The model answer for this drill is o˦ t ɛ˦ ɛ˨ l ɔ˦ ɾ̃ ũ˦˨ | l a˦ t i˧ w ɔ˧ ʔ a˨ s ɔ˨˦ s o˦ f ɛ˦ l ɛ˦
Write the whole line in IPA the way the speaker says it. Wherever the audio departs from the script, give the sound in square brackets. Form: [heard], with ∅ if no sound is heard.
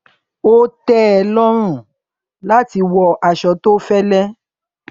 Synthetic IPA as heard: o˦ t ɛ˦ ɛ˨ l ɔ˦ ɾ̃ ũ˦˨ | l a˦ t i˧ w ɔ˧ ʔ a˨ [ʃ] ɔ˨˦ [t] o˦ f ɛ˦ l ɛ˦